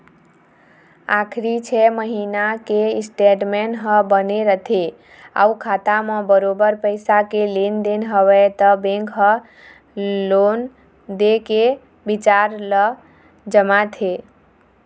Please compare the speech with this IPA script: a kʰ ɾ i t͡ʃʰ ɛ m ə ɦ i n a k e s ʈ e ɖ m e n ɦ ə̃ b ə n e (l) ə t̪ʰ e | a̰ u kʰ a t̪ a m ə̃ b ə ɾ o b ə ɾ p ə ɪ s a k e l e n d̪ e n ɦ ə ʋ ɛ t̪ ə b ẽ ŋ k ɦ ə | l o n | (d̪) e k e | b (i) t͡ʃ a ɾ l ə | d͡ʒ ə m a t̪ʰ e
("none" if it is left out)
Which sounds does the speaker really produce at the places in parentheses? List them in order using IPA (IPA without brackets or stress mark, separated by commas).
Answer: ɾ, d̪, i